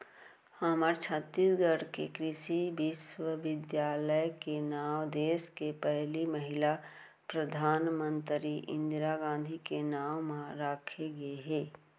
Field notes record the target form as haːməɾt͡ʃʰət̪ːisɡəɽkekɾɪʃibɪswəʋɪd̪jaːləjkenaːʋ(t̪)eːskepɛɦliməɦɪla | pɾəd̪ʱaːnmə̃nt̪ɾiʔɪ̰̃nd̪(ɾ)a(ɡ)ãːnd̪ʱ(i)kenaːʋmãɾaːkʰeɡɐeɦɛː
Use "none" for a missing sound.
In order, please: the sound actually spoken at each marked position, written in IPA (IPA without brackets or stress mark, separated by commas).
d̪, ɾ, ɡ, i